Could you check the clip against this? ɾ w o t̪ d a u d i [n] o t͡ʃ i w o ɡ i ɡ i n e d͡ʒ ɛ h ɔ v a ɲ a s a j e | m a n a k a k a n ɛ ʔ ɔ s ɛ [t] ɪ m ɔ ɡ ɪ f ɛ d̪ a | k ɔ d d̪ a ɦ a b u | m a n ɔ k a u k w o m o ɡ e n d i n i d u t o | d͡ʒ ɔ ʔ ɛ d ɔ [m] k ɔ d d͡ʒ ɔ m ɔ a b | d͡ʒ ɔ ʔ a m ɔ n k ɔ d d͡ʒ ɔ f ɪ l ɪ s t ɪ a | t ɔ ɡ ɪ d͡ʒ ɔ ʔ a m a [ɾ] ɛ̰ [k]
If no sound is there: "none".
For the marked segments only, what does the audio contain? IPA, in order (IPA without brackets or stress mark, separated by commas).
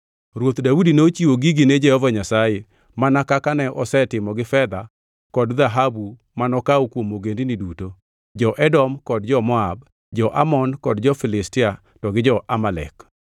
n, t, m, l, k